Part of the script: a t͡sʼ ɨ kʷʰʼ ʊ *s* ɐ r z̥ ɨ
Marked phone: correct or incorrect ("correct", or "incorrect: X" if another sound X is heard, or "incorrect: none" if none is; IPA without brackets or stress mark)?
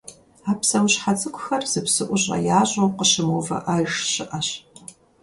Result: incorrect: x